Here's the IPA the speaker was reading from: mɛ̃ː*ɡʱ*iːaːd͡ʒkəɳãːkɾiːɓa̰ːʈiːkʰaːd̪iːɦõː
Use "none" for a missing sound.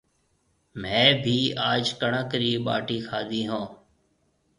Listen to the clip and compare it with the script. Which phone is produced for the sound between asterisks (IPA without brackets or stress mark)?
bʱ